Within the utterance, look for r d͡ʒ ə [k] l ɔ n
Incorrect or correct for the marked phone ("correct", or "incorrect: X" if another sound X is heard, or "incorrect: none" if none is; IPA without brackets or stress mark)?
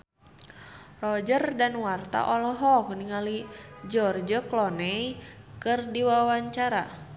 correct